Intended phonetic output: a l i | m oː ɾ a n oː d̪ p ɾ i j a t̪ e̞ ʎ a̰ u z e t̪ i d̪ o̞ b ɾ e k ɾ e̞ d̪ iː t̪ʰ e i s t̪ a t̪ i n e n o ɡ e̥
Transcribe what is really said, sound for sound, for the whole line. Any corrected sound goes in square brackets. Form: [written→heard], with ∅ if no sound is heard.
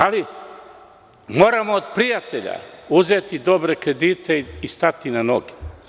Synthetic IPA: a l i | m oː ɾ a [n→m] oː d̪ p ɾ i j a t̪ e̞ ʎ a̰ u z e t̪ i d̪ o̞ b ɾ e k ɾ e̞ d̪ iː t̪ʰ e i s t̪ a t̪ i n [e→a] n o ɡ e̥